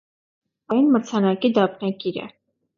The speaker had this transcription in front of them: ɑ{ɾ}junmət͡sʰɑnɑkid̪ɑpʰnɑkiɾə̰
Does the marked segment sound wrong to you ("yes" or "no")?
yes